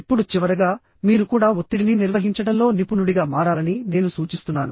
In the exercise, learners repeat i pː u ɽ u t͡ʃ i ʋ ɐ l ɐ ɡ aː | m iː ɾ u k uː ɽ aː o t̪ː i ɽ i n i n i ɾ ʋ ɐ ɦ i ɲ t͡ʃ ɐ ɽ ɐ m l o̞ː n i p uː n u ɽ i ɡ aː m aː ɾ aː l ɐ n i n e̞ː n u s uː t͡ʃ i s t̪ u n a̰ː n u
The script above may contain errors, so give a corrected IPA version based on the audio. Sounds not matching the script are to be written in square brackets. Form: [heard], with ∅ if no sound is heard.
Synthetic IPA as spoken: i pː u ɽ u t͡ʃ i ʋ ɐ [ɾ] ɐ ɡ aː | m iː ɾ u k uː ɽ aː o t̪ː i ɽ i n i n i ɾ ʋ ɐ ɦ i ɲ t͡ʃ ɐ ɽ ɐ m l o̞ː n i p [u] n u ɽ i ɡ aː m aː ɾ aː l ɐ n i n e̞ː n u s uː t͡ʃ i s t̪ u [nː] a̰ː n u